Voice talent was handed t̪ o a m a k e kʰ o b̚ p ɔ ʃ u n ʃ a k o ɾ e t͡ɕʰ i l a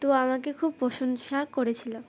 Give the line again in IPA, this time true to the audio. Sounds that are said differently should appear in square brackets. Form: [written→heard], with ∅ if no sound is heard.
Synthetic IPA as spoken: t̪ o a m a k e kʰ [o→u] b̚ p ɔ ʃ [u→o] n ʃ a k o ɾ e t͡ɕʰ i l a